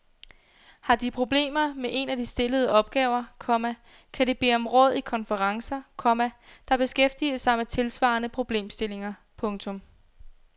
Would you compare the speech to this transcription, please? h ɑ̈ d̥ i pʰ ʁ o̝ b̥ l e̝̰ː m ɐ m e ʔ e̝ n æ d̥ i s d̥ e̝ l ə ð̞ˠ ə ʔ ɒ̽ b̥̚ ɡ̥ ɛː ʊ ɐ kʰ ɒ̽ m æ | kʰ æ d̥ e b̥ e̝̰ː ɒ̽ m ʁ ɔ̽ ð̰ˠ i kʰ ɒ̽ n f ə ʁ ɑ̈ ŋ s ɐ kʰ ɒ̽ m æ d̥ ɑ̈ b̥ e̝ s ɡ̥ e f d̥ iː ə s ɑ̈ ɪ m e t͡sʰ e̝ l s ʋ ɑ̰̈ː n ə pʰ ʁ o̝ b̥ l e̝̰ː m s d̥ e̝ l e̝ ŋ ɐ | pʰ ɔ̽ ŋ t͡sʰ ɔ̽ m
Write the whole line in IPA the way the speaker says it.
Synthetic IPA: h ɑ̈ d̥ i pʰ ʁ o̝ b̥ l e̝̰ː m ɐ m e ʔ e̝ n æ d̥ i s d̥ e̝ l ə ð̞ˠ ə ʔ ɒ̽ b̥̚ ɡ̥ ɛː ʊ ɐ kʰ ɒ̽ m æ | kʰ æ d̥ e b̥ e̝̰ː ɒ̽ m ʁ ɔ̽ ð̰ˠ i kʰ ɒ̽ n f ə ʁ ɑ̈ ŋ s ɐ kʰ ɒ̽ m æ d̥ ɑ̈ b̥ e̝ s ɡ̥ e f d̥ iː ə s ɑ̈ ɪ m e t͡sʰ e̝ l s ʋ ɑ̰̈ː n ə pʰ ʁ o̝ b̥ l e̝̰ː m s d̥ e̝ l e̝ ŋ ɐ | pʰ ɔ̽ ŋ t͡sʰ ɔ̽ m